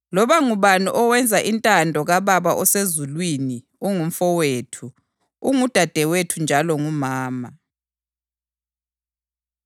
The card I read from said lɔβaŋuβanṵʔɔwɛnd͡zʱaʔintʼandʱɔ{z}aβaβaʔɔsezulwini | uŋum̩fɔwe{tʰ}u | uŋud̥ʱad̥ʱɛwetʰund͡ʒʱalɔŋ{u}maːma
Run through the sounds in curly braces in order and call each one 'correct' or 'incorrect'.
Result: incorrect, correct, correct

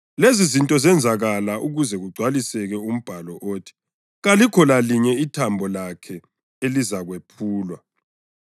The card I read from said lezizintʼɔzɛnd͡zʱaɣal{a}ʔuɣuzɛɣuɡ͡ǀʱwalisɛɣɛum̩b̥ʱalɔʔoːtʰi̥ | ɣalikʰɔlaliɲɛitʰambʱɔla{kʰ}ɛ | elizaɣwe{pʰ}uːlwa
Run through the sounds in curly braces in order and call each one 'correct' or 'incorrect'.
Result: correct, correct, correct

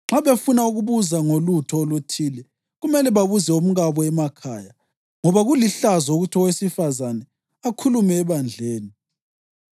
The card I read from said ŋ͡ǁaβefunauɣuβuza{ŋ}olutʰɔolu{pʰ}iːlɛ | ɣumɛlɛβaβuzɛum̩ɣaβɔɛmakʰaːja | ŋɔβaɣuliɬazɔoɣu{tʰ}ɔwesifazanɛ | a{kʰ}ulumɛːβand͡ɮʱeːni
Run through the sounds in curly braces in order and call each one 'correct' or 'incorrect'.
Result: correct, incorrect, correct, correct

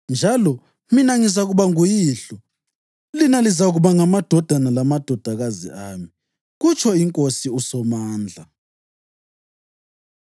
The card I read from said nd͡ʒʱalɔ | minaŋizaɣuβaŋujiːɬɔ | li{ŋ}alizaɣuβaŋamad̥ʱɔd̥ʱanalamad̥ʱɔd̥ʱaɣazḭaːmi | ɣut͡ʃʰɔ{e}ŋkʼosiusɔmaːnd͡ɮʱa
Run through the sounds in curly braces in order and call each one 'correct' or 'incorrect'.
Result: incorrect, incorrect

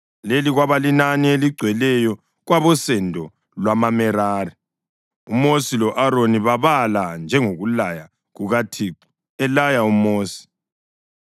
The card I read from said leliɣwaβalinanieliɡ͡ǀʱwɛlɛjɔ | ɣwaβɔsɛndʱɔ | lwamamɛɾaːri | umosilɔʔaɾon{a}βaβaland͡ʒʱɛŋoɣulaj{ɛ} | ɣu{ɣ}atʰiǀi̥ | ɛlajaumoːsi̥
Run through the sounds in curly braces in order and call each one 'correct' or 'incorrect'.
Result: incorrect, incorrect, correct

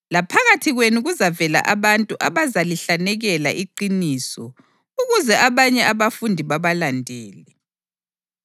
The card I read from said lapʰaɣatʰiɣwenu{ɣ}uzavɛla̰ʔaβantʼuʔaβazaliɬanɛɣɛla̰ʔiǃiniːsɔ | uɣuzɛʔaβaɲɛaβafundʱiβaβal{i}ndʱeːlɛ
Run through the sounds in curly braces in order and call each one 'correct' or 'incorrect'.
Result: correct, incorrect

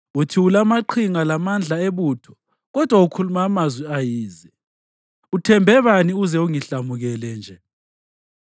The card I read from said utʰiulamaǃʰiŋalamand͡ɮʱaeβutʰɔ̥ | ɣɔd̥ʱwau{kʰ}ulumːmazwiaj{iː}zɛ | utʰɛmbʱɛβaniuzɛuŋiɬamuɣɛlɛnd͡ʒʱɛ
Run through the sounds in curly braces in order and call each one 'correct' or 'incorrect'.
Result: correct, correct

